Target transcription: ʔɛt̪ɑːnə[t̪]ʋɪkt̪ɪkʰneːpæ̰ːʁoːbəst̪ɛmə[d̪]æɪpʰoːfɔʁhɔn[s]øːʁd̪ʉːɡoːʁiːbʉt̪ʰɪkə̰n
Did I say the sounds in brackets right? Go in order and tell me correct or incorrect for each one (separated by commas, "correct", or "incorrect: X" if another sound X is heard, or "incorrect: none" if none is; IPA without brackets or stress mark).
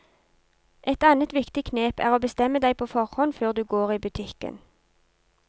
correct, correct, incorrect: f